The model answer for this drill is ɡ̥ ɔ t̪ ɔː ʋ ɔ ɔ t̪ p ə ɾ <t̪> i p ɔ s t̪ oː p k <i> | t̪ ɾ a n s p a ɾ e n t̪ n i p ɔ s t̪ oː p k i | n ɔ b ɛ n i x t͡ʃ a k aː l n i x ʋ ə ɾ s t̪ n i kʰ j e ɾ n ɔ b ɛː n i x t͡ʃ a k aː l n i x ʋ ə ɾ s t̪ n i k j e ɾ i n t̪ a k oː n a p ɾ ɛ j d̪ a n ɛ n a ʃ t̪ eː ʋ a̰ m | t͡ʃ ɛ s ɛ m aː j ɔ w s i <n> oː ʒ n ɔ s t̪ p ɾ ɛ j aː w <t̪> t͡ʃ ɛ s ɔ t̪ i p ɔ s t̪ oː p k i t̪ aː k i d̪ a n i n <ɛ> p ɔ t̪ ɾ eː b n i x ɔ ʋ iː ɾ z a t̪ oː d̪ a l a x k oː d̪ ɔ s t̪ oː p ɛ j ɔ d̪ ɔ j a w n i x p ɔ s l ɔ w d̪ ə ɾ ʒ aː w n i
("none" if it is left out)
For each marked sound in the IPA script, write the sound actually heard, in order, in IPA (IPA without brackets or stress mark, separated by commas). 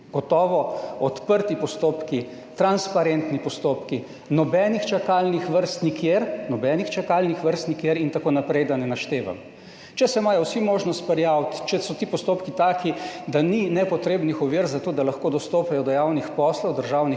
t̪, i, m, t̪, ɛ